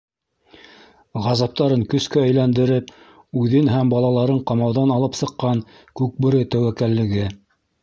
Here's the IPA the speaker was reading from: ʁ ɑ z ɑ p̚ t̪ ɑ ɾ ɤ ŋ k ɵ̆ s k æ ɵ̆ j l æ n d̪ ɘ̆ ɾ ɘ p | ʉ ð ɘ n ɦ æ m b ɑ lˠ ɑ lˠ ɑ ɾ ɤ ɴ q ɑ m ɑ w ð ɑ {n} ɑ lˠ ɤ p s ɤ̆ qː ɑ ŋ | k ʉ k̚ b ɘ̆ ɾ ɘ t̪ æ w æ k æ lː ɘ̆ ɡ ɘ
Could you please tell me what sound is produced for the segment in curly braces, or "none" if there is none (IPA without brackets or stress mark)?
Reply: n